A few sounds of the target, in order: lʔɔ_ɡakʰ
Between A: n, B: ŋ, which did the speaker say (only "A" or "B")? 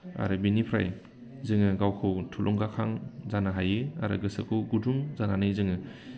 B